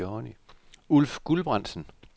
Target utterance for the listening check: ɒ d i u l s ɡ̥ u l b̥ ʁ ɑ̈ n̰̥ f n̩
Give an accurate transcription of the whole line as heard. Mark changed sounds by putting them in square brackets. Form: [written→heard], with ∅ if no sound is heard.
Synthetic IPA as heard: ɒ [d→n] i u l [s→f] ɡ̥ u l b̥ ʁ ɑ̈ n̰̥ [f→s] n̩